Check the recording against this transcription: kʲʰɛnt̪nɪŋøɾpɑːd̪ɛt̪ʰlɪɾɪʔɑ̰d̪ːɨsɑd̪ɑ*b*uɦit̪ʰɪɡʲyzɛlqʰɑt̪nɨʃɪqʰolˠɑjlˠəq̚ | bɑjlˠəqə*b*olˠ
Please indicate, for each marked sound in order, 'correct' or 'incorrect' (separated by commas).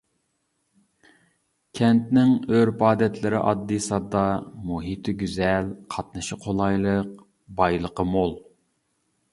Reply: incorrect, incorrect